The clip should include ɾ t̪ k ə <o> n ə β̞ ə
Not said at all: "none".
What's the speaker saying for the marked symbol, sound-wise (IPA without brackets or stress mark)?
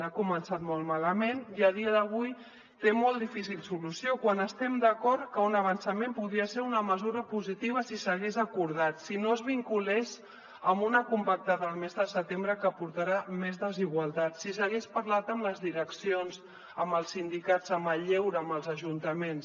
u